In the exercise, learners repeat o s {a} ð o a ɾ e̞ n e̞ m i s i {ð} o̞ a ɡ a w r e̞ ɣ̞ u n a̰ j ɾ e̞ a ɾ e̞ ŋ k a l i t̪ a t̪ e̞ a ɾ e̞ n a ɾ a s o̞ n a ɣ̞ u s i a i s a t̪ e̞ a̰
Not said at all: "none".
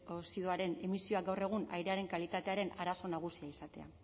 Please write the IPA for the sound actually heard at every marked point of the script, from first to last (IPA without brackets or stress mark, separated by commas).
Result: i, none